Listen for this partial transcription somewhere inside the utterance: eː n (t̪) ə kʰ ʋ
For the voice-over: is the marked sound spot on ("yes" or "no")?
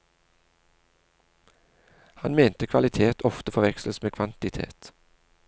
yes